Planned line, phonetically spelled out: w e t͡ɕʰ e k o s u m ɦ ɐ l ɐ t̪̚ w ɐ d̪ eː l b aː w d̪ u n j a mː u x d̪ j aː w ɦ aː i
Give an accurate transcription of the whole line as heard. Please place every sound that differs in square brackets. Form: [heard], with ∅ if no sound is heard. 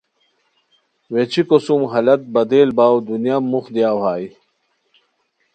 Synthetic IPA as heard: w e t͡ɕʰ [i] k o s u m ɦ ɐ l ɐ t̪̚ [b] ɐ d̪ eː l b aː w d̪ u n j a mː u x d̪ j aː w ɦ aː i